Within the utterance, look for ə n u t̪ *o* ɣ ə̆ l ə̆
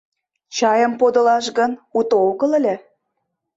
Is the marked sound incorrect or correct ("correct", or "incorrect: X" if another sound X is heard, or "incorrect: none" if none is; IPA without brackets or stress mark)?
correct